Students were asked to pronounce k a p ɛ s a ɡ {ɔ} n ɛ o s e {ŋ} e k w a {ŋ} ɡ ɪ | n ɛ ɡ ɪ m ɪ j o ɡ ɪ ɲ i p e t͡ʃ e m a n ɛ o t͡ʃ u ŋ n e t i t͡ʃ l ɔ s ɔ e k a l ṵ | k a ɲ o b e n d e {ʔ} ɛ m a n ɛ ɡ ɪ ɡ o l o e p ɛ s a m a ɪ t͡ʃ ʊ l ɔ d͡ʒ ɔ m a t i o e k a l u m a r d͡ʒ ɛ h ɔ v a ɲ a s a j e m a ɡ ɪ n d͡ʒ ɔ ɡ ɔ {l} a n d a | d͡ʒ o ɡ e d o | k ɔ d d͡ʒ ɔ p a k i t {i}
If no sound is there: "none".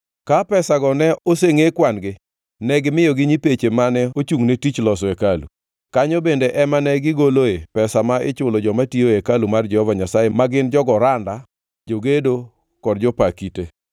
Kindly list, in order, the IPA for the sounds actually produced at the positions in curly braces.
ɔ, ŋ, n, ʔ, ɾ, e

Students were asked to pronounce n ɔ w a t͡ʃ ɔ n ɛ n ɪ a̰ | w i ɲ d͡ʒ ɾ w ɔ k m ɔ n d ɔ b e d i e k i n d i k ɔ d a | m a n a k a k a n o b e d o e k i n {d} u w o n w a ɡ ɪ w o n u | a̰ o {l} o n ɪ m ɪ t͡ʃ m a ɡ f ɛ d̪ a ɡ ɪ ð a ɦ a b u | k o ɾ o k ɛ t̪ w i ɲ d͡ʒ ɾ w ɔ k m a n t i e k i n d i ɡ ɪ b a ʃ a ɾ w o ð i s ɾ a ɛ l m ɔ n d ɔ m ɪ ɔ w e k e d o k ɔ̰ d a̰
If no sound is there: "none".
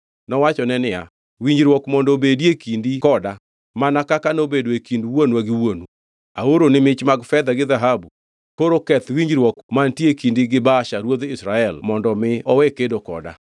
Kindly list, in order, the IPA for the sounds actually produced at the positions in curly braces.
d, ɾ

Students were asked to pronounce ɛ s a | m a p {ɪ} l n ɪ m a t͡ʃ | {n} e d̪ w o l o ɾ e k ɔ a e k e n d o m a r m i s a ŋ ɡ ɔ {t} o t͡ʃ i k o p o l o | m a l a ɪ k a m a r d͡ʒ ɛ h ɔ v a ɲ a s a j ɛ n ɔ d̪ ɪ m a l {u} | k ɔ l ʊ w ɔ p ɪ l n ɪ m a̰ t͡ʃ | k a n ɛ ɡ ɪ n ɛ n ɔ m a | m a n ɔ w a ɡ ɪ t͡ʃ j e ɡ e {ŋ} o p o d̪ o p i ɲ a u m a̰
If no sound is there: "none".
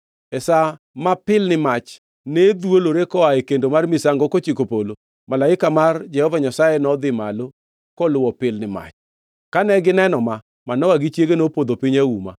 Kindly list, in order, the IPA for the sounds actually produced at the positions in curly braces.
ɪ, n, k, o, n

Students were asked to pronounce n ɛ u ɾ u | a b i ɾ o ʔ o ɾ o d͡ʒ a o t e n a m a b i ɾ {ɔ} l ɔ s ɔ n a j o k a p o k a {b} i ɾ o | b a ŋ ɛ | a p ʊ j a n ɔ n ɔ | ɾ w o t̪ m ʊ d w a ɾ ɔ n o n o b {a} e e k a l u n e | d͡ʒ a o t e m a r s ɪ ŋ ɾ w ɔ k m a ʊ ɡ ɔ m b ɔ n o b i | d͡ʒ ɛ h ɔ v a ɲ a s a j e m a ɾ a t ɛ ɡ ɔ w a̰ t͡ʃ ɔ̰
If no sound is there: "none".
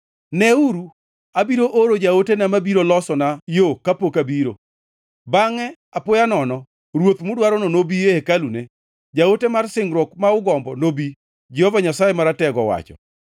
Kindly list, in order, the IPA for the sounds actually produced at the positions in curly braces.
o, b, i

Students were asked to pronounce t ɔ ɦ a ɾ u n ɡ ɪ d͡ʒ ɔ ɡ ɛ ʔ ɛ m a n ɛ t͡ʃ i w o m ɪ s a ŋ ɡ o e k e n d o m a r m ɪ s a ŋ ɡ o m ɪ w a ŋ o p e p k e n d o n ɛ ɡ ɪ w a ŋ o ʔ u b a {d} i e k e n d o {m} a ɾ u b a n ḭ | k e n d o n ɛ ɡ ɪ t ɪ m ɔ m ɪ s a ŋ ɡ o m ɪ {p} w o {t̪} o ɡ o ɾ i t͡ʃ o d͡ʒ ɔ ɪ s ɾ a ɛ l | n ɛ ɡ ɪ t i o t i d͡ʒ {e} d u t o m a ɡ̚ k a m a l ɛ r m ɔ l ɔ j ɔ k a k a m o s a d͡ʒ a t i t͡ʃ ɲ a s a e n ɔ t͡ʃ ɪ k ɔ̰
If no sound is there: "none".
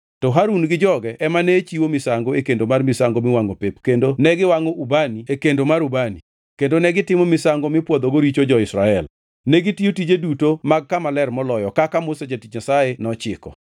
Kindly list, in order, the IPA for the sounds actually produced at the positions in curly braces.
n, m, p, d̪, e

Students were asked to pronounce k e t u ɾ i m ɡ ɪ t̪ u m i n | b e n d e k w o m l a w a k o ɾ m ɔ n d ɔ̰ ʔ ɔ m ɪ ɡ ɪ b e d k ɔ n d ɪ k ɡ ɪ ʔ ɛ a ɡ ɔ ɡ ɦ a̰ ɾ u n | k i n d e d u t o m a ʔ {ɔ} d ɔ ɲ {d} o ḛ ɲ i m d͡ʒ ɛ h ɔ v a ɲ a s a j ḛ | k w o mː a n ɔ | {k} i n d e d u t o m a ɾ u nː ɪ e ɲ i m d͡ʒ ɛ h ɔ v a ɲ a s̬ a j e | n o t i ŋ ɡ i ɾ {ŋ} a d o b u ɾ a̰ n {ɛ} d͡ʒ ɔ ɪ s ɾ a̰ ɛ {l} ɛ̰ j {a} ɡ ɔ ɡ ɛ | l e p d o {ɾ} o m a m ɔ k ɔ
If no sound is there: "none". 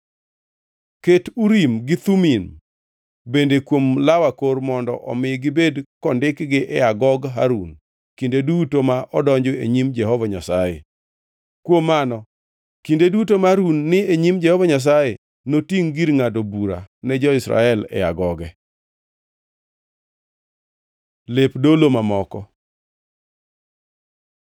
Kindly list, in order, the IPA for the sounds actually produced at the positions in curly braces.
ɔ, d͡ʒ, k, ŋ, ɛ, l, a, l

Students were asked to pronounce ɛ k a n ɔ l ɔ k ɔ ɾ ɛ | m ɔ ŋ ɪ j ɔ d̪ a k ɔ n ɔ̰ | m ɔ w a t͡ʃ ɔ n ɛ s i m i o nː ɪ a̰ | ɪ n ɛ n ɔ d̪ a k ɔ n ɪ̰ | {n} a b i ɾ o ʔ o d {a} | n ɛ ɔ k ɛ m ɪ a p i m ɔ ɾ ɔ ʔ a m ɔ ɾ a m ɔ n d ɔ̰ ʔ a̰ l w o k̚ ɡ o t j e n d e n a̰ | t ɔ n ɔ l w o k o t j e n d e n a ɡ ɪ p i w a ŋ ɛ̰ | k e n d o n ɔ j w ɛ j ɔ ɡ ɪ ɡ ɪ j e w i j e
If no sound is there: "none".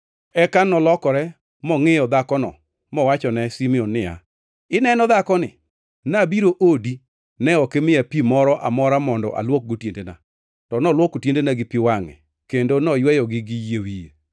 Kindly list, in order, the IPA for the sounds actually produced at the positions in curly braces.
n, i

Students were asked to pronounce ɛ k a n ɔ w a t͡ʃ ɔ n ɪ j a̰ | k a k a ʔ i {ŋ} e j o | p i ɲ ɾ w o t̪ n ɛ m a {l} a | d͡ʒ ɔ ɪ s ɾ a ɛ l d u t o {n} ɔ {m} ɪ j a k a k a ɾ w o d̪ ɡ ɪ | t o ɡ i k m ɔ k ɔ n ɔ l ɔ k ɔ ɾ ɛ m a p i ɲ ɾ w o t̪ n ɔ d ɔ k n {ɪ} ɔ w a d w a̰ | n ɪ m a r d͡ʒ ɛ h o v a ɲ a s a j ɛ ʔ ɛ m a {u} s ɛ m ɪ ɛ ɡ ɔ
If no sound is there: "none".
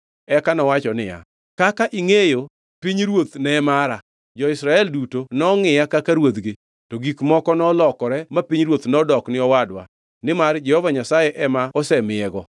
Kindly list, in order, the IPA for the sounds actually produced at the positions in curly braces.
ŋ, ɾ, n, ŋ, ɪ, ɔ

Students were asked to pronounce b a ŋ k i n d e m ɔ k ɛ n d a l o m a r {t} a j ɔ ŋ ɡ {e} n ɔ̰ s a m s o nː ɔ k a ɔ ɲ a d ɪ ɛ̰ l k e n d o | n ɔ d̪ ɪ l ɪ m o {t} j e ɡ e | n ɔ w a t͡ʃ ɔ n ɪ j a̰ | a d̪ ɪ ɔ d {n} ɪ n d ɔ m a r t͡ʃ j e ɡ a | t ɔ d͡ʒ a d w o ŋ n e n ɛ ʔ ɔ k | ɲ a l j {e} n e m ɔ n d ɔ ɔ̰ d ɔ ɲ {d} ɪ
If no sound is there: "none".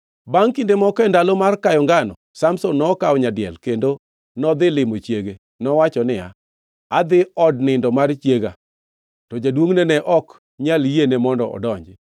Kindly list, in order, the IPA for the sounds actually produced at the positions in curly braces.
k, a, t͡ʃ, n, e, d͡ʒ

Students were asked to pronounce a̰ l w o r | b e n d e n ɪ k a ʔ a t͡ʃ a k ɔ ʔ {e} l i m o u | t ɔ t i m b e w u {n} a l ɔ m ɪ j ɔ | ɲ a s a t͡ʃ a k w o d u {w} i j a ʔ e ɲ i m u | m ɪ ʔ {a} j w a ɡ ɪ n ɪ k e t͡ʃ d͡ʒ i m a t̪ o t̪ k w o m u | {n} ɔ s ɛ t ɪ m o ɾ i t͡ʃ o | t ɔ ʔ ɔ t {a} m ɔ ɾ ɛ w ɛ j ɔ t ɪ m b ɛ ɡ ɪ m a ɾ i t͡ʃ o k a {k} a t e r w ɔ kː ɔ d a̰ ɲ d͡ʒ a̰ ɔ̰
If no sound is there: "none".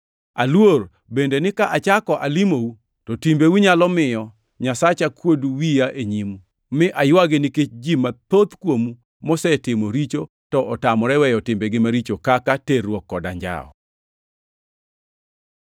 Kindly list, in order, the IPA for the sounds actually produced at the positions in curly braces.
a, ɲ, w, a, m, a, k

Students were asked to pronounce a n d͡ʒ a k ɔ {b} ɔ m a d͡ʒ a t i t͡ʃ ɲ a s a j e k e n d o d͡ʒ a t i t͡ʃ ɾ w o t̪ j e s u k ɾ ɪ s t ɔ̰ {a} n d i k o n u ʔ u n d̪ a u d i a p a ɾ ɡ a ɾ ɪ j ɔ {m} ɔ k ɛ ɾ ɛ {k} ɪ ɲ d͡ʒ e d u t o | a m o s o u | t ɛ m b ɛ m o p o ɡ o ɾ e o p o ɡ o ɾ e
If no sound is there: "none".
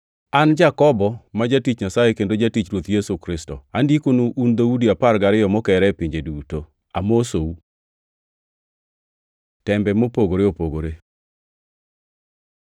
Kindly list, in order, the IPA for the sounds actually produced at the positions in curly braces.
b, a, m, p

